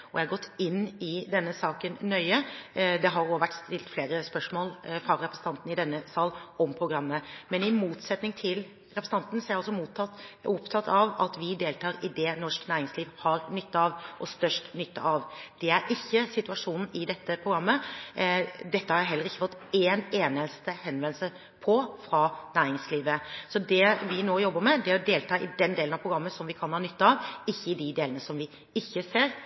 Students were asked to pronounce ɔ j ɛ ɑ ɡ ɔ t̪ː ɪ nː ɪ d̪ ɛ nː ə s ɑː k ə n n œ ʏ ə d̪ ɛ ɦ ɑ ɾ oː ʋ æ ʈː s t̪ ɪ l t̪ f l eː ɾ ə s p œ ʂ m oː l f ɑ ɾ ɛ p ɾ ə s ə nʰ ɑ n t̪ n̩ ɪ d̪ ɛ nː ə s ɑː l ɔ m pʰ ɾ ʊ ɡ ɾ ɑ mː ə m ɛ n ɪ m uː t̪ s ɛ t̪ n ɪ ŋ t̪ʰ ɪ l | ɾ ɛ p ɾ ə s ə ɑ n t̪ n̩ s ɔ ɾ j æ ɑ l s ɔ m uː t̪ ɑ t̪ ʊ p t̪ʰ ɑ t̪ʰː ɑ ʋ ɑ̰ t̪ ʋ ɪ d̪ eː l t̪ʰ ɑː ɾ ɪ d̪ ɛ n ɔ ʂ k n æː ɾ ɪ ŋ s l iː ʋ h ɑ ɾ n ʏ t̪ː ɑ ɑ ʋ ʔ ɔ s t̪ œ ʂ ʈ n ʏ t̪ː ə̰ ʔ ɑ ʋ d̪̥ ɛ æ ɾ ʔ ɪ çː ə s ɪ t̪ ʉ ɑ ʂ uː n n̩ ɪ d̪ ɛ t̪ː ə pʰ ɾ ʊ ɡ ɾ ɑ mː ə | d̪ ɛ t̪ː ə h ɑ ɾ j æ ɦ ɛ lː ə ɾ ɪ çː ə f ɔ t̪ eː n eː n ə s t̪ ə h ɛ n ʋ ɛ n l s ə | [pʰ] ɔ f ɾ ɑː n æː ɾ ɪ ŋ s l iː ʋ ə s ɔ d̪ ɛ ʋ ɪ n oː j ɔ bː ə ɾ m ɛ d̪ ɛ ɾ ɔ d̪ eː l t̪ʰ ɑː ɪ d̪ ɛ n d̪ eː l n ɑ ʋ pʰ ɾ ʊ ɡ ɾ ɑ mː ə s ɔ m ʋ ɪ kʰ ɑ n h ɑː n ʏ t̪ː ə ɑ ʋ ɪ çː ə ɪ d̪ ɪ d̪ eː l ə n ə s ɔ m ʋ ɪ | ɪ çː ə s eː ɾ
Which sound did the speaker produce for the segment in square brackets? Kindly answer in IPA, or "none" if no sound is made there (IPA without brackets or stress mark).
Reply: pʰ